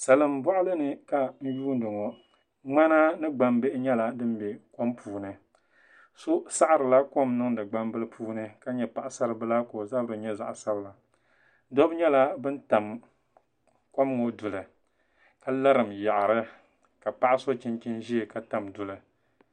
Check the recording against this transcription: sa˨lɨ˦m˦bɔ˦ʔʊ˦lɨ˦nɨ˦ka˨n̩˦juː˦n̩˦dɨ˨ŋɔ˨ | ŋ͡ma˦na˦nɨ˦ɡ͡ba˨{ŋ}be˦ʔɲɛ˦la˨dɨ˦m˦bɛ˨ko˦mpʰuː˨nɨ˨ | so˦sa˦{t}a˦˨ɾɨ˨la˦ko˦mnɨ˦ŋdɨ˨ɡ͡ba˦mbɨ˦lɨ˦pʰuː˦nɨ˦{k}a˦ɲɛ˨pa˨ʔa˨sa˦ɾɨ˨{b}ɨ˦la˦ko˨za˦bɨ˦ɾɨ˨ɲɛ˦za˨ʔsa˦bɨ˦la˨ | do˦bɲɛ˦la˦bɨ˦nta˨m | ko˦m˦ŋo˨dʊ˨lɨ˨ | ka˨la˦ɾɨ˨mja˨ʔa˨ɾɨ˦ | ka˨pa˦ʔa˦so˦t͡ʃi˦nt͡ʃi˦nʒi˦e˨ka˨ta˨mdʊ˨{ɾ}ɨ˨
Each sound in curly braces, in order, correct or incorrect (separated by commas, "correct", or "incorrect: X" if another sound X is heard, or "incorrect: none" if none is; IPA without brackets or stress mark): incorrect: m, incorrect: ʔ, correct, correct, incorrect: l